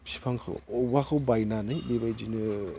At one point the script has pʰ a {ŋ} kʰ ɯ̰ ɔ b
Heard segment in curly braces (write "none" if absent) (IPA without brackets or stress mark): ŋ